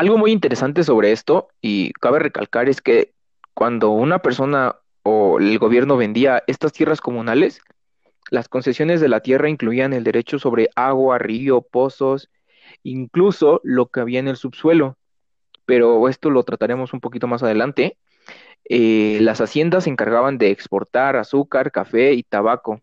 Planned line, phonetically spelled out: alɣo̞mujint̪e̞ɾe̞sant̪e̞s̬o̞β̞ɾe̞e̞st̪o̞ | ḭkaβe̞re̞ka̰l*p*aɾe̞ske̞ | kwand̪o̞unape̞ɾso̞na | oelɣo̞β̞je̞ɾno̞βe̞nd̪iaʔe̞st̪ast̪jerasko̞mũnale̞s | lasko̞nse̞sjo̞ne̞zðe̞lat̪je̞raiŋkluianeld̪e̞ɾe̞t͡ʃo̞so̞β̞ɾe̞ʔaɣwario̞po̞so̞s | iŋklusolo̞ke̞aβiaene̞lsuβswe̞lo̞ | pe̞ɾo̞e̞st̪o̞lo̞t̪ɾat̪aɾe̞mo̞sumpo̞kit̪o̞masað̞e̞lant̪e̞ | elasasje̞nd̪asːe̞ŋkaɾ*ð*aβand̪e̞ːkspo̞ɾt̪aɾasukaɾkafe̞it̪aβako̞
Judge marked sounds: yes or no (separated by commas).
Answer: no, no